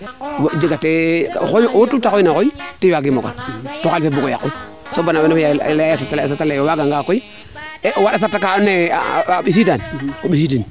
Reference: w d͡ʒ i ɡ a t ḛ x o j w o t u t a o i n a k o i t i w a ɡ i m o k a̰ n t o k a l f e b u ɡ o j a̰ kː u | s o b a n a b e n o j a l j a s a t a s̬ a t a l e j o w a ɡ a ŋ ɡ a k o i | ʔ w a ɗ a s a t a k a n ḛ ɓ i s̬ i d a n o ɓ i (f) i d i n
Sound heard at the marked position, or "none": s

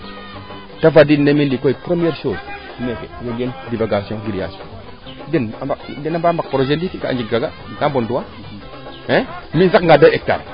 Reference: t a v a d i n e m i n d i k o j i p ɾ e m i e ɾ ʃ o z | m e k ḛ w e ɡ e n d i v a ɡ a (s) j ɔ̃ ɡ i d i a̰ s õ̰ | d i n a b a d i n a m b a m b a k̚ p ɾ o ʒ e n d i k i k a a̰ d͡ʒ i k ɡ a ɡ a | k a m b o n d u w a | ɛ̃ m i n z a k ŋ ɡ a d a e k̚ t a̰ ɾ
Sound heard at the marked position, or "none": s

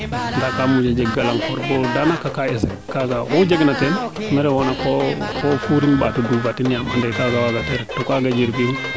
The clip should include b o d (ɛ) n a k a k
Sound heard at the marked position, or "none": a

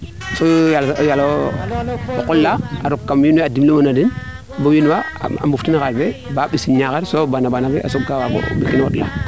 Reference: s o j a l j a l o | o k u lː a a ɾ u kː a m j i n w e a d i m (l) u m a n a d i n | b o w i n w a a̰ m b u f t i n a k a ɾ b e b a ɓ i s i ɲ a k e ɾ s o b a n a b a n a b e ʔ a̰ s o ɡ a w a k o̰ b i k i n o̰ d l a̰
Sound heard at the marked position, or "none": l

